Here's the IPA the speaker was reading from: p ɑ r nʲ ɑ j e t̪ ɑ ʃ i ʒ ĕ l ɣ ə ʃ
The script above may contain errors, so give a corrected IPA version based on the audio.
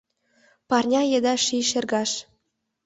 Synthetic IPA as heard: p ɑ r nʲ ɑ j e d̪ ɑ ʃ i ʃ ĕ r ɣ ɑ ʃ